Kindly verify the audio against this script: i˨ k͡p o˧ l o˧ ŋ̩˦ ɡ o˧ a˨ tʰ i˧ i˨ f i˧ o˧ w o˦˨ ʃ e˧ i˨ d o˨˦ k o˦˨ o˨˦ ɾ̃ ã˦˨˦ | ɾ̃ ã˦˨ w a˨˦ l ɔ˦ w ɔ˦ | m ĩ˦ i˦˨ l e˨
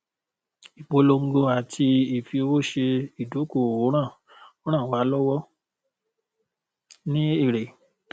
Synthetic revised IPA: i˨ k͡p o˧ l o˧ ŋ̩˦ ɡ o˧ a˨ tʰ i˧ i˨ f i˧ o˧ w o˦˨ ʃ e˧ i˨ d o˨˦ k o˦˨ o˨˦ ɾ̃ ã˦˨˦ | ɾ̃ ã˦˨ w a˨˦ l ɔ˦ w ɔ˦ | n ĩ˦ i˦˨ ɾ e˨